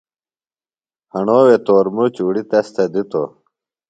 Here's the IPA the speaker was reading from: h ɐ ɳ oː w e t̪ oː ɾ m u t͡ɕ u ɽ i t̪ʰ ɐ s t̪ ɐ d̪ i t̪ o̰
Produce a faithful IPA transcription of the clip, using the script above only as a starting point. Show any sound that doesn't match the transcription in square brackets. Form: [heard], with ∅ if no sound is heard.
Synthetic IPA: h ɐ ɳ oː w e t̪ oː ɾ m u t͡ɕ u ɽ i [t̪] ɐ s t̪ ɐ d̪ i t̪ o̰